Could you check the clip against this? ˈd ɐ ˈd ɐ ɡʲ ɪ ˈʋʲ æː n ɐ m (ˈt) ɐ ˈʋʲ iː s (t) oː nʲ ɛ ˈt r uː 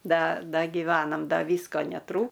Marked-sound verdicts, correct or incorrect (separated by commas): incorrect, incorrect